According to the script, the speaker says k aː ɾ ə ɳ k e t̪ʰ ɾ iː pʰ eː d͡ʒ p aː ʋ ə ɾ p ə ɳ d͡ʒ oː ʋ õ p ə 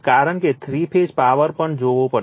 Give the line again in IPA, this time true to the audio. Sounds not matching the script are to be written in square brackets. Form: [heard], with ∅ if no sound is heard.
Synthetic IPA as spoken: k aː ɾ ə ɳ k e t̪ʰ ɾ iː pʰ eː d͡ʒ p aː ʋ ə ɾ p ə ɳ d͡ʒ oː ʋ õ p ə